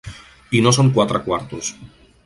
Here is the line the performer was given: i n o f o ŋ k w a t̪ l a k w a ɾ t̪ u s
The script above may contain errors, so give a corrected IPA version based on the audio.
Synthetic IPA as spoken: i n o s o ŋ k w a t̪ ɾ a k w a ɾ t̪ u s